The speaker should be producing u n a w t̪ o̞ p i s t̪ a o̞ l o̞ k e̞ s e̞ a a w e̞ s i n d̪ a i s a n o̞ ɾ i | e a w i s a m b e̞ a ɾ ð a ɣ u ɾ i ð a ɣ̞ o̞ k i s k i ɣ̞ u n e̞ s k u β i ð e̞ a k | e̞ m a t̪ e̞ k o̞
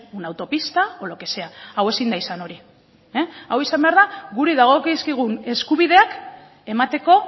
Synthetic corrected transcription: u n a w t̪ o̞ p i s t̪ a o̞ l o̞ k e̞ s e̞ a a w e̞ s i n d̪ a i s a n o̞ ɾ i | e a w i s a m b e̞ a ɾ ð a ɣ u ɾ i ð a ɣ̞ o̞ k i s k i ɣ̞ u n e̞ s k u β i ð e̞ a k | e̞ m a t̪ e̞ k o̞